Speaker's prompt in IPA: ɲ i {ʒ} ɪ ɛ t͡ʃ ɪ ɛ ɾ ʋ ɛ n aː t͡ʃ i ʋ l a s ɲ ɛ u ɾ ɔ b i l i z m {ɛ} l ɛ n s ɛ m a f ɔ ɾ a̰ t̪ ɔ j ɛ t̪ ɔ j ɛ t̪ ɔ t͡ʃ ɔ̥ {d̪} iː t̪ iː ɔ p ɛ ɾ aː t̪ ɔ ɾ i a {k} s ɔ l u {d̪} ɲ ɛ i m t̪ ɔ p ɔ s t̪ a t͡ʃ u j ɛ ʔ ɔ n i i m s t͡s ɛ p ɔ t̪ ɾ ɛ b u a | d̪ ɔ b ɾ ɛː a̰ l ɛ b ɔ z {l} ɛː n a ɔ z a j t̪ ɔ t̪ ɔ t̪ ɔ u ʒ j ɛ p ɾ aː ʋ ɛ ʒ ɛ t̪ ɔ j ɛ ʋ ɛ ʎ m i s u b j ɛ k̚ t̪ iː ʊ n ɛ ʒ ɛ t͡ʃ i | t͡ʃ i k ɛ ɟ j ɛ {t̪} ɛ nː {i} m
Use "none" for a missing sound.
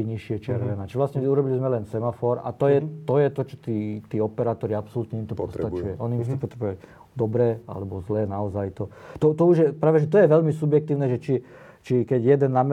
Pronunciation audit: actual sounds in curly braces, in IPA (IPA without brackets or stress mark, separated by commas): ʃ, ɛ, t̪, p, t̪, l, d̪, a